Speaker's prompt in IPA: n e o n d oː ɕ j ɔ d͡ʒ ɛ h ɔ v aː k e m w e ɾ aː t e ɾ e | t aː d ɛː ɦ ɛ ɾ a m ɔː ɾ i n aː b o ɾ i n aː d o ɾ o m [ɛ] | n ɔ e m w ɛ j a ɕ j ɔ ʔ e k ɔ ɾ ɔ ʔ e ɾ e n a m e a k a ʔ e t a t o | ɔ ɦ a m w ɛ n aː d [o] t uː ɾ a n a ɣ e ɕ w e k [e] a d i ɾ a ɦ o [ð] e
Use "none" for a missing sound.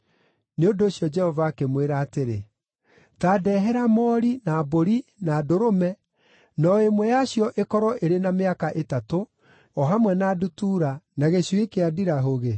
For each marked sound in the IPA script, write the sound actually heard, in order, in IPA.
ɛ, u, e, ɣ

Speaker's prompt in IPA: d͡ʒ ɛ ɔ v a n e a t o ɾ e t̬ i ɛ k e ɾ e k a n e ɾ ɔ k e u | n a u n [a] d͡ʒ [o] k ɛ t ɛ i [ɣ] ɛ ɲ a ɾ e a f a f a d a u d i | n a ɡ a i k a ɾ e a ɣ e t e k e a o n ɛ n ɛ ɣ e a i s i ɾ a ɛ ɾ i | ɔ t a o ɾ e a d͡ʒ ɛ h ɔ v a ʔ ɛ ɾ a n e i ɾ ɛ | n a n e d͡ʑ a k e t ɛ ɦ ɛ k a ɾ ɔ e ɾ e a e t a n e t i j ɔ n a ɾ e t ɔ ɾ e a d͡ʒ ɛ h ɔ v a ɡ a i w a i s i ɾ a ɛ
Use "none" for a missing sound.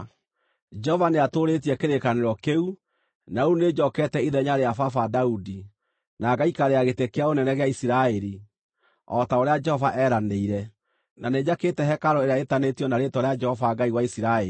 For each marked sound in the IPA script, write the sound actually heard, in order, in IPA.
e, ɔ, ð

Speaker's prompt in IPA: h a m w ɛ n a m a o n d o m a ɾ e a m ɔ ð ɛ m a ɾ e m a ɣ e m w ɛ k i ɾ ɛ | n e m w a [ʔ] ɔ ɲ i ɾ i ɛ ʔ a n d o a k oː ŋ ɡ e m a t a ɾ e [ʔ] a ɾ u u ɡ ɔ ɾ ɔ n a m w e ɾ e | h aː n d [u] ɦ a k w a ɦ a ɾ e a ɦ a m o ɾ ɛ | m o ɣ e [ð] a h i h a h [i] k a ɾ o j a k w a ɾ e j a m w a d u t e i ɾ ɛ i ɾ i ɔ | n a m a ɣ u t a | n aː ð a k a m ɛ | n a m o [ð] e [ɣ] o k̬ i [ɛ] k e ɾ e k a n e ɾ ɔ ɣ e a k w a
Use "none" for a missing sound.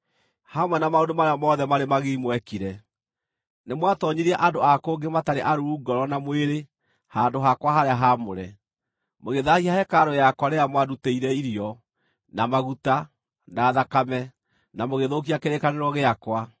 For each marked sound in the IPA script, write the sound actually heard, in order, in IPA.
t, ʔ, o, ð, ɛ, ɣ, ð, a

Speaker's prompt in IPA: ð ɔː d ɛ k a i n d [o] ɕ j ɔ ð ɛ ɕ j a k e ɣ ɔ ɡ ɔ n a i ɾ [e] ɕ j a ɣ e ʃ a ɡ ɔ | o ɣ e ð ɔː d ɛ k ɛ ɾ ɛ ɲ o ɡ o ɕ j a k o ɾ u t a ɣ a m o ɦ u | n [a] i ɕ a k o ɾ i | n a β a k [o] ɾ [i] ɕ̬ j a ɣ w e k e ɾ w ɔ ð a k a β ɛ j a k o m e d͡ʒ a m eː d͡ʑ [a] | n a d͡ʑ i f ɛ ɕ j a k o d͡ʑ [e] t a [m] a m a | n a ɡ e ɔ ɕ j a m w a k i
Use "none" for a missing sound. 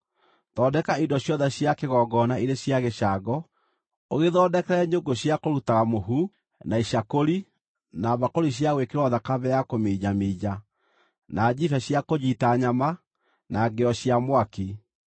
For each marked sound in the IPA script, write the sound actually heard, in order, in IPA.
ɔ, e, a, o, i, a, i, ɲ

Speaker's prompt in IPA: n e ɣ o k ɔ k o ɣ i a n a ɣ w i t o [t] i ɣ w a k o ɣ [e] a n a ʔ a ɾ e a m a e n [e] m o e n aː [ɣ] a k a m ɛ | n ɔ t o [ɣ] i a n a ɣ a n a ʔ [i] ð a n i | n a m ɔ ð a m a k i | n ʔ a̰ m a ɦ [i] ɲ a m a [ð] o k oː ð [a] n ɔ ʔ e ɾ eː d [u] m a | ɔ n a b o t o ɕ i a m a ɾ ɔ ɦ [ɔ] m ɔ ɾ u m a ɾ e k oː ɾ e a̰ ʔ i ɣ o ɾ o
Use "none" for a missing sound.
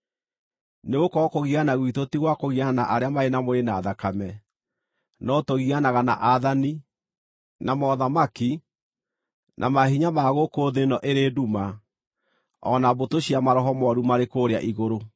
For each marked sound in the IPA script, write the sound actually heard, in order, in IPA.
t, i, a, ð, ɣ, a, i, ɣ, e, u, ɔ

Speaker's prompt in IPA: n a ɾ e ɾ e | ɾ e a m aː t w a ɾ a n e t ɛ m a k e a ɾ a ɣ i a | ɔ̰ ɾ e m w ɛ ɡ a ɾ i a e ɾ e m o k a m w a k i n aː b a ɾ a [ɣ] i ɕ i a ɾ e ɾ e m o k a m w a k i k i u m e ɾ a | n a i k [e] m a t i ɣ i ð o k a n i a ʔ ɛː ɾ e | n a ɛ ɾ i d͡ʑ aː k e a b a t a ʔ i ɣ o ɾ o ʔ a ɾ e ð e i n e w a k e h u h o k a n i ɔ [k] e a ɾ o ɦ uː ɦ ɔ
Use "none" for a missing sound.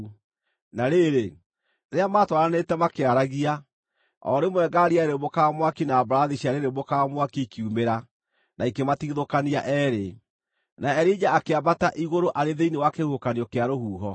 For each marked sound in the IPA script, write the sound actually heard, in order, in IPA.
ð, e, k

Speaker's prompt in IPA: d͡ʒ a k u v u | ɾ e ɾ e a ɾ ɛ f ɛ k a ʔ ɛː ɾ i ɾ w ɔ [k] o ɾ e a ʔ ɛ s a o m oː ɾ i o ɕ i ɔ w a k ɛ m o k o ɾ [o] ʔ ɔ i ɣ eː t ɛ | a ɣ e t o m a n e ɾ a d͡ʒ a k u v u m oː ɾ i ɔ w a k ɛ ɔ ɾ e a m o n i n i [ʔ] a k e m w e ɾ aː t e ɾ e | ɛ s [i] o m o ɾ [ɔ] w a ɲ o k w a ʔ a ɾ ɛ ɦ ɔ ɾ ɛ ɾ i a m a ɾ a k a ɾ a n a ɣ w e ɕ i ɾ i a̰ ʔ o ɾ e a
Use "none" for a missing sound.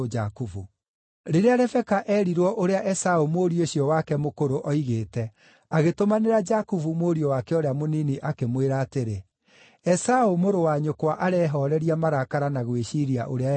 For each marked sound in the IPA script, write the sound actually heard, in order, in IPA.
ʔ, o, ʔ, a, o

